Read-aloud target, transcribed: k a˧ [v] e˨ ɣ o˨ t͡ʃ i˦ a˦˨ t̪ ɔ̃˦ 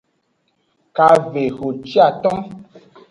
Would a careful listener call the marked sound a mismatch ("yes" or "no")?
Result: no